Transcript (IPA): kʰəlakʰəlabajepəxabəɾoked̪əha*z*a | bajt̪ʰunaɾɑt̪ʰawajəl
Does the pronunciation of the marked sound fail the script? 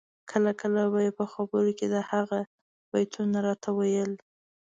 yes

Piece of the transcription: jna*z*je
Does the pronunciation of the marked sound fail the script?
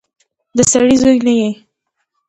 yes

